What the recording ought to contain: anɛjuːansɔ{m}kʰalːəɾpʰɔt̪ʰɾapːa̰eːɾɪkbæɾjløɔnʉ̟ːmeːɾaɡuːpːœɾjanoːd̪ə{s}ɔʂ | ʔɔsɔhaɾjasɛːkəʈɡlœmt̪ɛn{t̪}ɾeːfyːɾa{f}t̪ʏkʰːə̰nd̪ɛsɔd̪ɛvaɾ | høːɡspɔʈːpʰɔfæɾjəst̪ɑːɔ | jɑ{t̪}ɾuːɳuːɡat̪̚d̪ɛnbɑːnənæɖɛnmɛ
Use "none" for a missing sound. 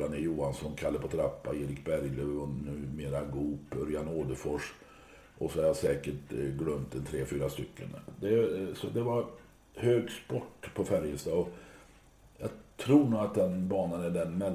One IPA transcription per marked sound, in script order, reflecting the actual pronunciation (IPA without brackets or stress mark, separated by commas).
n, f, t̪ʰ, s, t̪ʰ